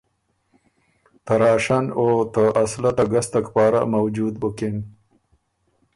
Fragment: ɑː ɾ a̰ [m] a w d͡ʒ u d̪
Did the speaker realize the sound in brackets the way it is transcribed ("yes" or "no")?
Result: yes